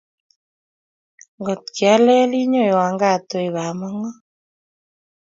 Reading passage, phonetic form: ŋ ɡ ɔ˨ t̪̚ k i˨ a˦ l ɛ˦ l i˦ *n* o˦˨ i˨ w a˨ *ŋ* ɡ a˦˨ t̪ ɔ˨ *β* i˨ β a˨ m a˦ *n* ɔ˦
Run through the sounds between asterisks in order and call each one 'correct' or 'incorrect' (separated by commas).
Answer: incorrect, correct, incorrect, incorrect